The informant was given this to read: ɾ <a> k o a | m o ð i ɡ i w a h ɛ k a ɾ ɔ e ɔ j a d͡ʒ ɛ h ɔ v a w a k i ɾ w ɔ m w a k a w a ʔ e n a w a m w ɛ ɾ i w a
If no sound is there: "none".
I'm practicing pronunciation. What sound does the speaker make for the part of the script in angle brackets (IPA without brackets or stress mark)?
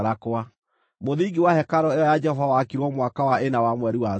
a